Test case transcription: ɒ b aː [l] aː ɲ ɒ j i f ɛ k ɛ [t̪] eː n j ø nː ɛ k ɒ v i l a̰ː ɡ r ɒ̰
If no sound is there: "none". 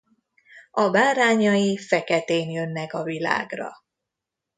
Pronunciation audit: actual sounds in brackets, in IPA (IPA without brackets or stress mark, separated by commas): ɾ, t̪